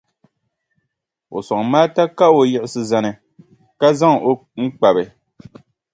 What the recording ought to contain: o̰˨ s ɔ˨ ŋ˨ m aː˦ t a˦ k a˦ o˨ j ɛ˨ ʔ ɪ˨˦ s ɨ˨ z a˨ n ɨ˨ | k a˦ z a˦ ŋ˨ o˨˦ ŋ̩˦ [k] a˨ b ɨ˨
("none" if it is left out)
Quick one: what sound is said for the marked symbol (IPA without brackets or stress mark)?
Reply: k͡p